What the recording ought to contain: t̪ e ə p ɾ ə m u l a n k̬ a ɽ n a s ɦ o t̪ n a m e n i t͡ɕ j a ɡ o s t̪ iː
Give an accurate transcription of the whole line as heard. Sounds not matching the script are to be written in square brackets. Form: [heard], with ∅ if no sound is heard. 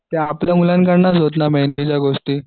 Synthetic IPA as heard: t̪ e [a] p [l] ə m u l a n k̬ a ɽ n a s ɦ o t̪ n a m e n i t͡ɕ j a ɡ o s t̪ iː